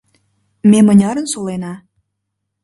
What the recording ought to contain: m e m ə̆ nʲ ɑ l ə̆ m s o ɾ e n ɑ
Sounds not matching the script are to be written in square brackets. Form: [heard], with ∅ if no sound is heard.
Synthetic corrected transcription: m e m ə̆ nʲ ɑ [ɾ] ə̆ [n] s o [l] e n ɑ